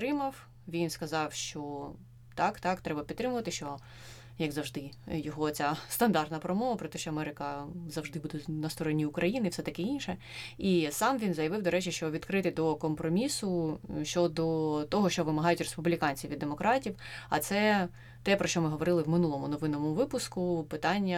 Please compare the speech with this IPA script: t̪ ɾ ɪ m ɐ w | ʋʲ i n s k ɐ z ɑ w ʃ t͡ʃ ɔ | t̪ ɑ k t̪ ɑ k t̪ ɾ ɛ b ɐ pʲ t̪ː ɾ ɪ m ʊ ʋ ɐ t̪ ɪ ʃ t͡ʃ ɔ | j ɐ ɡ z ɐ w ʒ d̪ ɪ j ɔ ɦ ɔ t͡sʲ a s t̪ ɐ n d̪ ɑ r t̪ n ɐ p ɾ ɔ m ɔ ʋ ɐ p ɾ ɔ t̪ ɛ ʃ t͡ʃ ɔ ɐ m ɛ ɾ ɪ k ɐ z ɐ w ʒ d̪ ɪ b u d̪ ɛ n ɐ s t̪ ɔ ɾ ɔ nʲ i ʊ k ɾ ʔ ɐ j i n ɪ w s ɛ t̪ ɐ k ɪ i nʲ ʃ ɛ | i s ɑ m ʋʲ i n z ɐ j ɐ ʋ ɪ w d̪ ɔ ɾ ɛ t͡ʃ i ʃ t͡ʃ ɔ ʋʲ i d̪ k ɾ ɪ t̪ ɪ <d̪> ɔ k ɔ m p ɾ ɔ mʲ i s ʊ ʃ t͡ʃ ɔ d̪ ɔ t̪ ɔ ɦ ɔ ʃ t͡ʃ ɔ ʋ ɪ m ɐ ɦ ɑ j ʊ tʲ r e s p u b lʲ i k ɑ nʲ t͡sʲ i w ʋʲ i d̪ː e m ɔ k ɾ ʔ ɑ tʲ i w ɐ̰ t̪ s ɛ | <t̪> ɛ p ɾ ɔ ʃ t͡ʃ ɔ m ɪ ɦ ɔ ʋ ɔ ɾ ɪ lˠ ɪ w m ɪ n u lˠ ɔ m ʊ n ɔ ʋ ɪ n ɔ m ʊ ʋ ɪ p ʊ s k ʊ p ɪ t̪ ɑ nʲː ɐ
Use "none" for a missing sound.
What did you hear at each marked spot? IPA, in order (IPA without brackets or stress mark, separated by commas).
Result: d̪, t̪